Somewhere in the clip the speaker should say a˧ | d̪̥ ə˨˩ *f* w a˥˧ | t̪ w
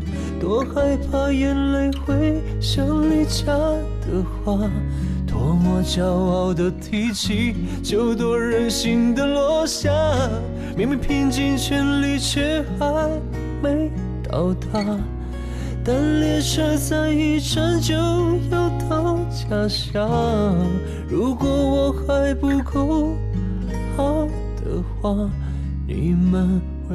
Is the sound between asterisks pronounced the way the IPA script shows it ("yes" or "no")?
no